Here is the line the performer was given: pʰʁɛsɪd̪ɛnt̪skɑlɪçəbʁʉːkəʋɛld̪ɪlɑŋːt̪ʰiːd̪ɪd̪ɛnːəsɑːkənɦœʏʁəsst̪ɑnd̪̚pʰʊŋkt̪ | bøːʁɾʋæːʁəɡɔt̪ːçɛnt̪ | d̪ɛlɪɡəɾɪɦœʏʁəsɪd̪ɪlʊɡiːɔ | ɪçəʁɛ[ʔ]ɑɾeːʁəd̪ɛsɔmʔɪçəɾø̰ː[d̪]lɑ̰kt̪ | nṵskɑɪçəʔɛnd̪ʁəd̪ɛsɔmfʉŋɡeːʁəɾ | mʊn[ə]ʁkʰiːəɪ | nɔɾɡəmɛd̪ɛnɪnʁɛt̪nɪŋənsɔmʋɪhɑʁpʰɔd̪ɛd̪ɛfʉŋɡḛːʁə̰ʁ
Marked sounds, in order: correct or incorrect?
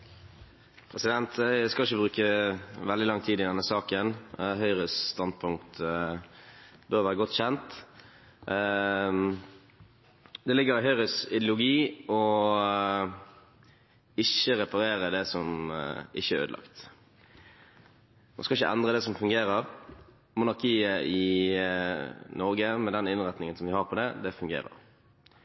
incorrect: p, correct, incorrect: ɑ

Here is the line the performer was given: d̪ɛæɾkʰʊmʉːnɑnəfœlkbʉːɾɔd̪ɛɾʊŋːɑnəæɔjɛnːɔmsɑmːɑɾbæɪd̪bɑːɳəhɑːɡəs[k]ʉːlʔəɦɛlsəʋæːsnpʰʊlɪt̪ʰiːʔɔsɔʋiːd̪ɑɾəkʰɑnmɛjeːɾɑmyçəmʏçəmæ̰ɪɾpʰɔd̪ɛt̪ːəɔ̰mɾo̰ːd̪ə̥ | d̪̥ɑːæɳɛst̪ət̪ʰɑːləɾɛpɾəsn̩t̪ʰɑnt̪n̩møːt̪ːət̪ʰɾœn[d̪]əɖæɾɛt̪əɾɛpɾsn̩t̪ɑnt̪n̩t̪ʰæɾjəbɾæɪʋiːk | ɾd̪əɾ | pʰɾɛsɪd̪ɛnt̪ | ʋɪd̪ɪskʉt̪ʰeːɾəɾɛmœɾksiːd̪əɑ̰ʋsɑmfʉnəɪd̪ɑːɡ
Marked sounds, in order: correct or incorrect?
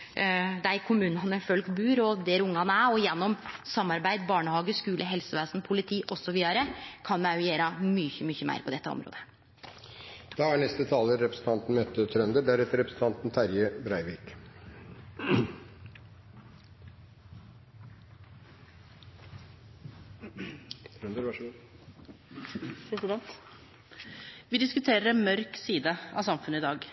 correct, correct

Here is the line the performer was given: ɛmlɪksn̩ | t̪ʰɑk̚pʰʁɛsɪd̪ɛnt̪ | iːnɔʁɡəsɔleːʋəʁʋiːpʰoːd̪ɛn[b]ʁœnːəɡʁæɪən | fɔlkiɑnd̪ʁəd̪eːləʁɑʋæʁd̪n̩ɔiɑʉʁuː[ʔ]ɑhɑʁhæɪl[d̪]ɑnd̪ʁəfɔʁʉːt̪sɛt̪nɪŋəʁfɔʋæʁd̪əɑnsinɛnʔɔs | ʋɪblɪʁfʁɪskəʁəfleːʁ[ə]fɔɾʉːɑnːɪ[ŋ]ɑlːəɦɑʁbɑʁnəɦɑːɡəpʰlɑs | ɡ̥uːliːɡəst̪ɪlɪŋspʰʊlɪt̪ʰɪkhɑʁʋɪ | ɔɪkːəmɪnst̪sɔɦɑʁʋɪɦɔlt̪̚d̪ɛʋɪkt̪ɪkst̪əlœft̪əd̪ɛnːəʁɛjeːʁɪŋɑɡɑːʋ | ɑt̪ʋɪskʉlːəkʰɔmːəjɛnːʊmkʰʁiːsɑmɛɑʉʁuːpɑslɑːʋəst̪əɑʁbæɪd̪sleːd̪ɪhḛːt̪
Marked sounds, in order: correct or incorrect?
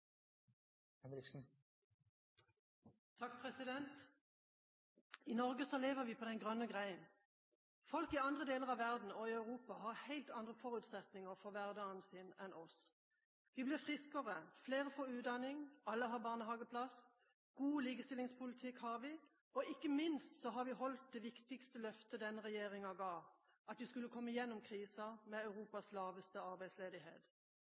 incorrect: ɡ, incorrect: p, incorrect: t̪, correct, correct

